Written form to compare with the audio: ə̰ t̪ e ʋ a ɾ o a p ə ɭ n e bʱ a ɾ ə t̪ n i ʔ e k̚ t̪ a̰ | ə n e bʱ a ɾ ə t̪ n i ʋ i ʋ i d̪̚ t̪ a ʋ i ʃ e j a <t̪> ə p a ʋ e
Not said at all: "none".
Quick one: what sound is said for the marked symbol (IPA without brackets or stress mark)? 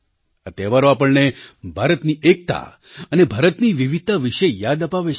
d̪